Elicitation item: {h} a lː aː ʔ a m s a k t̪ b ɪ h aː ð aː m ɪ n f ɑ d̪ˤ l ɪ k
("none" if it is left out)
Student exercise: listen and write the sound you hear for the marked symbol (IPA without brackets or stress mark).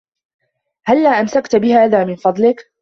h